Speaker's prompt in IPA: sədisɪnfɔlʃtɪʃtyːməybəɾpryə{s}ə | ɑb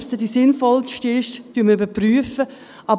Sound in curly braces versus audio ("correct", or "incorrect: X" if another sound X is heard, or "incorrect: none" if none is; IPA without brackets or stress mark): incorrect: f